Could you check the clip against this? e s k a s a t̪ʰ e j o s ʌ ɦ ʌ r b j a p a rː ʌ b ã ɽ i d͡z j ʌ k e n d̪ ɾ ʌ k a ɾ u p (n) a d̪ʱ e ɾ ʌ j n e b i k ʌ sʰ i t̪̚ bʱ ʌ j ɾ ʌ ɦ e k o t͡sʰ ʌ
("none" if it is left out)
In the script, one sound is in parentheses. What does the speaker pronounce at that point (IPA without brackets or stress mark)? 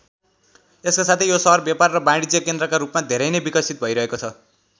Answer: m